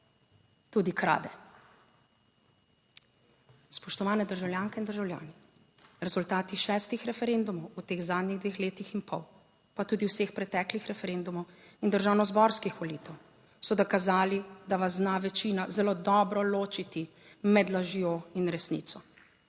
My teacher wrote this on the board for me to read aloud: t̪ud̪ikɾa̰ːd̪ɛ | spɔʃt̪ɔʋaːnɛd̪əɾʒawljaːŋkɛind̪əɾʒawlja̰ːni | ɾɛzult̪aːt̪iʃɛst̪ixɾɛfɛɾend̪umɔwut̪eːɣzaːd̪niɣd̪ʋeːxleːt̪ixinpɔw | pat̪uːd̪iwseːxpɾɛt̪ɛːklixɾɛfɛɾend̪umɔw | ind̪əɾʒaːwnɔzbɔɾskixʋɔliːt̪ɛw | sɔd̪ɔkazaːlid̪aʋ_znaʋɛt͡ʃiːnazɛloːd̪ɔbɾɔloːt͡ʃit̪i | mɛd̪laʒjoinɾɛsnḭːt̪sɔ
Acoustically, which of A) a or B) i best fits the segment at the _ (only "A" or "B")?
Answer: A